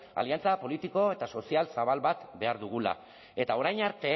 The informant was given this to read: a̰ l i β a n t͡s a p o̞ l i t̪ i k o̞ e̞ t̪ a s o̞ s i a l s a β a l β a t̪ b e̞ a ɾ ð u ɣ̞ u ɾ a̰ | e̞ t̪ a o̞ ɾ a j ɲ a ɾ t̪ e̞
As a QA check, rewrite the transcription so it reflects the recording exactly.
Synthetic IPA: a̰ l i a n t͡s a p o̞ l i t̪ i k o̞ e̞ t̪ a s o̞ s i a l s a β a l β a t̪ b e̞ a ɾ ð u ɣ̞ u l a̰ | e̞ t̪ a o̞ ɾ a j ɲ a ɾ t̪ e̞